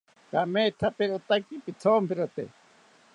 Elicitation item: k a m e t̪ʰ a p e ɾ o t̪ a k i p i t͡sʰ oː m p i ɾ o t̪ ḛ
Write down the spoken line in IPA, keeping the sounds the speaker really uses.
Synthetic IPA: k a m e t̪ʰ a p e ɾ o t̪ a k i p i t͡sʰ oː m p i ɾ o t̪ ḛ